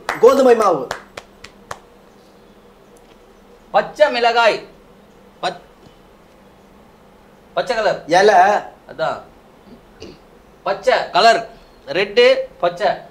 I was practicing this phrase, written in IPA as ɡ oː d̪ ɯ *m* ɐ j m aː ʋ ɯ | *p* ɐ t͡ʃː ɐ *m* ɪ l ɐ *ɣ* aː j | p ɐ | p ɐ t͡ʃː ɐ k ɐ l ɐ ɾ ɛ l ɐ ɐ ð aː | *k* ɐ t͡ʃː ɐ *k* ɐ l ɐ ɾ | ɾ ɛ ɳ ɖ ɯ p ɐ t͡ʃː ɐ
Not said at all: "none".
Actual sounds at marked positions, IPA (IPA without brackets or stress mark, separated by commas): m, p, m, ɣ, p, k